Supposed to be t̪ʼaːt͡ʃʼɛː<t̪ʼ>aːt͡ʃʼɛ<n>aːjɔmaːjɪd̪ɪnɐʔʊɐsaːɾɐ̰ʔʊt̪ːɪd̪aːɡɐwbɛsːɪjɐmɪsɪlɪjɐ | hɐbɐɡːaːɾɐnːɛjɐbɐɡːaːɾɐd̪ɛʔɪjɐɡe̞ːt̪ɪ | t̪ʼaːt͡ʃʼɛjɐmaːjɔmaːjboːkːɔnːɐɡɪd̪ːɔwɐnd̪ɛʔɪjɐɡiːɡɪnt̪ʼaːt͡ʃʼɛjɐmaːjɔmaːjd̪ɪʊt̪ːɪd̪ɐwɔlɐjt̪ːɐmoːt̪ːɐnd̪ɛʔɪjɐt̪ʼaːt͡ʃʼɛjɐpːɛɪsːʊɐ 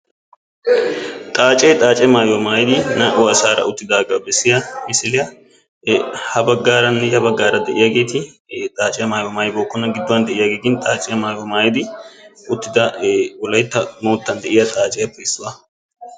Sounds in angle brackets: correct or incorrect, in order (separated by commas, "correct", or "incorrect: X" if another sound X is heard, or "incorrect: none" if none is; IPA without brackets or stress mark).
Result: correct, incorrect: m